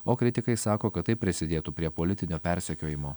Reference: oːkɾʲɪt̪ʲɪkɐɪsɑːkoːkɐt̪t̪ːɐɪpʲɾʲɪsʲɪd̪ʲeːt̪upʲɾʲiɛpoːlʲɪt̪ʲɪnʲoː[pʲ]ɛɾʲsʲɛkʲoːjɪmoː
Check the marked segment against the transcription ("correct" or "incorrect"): correct